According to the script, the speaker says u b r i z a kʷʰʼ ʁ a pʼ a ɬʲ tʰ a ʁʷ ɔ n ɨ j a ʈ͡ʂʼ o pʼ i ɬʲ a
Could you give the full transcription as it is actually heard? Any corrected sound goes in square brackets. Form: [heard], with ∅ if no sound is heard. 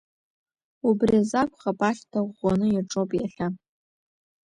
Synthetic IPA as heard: u b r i z a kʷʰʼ [χ] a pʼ a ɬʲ tʰ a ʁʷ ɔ n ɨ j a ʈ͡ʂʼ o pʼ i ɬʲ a